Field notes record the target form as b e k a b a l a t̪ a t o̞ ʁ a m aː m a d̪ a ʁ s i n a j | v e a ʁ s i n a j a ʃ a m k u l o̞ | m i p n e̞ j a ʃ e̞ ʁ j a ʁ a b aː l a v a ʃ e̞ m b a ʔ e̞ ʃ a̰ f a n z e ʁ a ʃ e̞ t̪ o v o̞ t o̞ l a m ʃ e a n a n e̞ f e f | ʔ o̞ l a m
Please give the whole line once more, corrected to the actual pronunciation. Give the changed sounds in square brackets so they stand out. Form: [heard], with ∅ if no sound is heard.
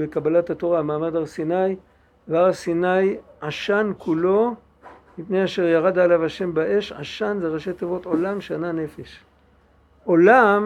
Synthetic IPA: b e k a b a l a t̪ a t o̞ ʁ a m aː m a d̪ a ʁ s i n a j | v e a ʁ s i n a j a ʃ a [n] k u l o̞ | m i p n e̞ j a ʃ e̞ ʁ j a ʁ a [d] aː l a v a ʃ e̞ m b a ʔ e̞ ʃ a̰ [ʃ] a n z e ʁ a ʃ e̞ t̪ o v o̞ t o̞ l a m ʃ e a n a n e̞ f e [ʃ] | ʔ o̞ l a m